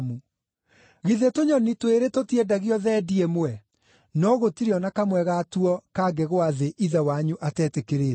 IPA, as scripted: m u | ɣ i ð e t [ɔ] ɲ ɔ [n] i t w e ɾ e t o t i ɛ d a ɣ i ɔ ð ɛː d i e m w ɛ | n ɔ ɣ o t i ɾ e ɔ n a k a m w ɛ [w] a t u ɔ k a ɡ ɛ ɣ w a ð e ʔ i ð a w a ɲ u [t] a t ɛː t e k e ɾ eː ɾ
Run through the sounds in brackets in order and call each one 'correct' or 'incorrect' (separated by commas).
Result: incorrect, correct, incorrect, incorrect